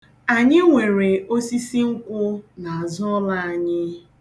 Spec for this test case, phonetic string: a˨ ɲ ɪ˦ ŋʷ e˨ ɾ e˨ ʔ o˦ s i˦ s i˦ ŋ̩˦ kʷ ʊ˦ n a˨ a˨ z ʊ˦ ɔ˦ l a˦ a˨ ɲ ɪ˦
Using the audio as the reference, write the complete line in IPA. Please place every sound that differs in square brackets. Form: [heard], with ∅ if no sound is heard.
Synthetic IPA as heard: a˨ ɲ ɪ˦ ŋʷ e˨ ɾ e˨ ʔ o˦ s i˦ s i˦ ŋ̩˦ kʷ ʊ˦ n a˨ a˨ z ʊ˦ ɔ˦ l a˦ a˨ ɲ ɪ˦